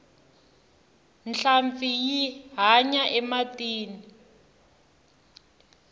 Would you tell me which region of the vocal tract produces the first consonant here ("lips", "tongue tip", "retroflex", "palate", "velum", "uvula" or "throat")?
tongue tip